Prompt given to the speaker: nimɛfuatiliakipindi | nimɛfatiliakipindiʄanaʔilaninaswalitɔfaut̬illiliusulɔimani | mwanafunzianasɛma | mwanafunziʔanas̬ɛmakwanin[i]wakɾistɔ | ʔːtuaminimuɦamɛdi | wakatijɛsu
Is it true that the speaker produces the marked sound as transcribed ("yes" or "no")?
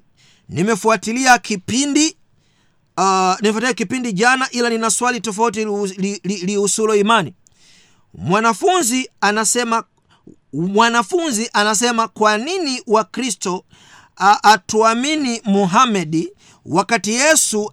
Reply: yes